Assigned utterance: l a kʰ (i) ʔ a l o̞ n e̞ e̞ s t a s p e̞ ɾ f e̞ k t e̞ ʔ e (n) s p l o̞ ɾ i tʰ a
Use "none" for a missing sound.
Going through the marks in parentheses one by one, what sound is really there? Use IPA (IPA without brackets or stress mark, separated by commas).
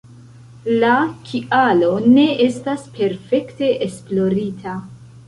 i, none